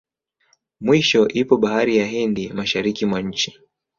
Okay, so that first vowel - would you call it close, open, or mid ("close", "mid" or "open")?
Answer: close